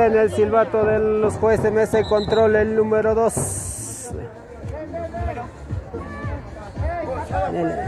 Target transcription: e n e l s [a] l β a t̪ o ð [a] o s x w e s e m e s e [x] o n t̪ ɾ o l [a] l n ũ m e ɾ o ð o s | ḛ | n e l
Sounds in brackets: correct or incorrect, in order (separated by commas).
incorrect, incorrect, incorrect, incorrect